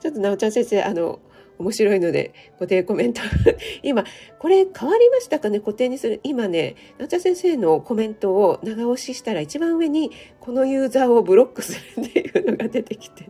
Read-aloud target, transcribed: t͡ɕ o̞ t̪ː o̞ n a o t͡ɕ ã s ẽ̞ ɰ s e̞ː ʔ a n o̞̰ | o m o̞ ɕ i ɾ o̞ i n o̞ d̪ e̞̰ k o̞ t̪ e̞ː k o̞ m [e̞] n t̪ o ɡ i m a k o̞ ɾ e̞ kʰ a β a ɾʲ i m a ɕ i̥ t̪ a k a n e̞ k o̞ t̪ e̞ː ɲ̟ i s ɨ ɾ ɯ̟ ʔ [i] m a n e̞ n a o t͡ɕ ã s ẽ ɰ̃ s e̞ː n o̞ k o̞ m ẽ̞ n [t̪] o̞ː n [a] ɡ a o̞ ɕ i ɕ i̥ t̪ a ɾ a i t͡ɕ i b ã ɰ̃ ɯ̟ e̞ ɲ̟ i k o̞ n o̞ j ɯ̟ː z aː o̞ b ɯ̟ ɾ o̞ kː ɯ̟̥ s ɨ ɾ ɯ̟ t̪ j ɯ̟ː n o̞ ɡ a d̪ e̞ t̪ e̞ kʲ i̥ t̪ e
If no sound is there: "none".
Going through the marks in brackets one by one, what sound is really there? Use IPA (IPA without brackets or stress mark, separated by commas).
ẽ̞, i, t̪, a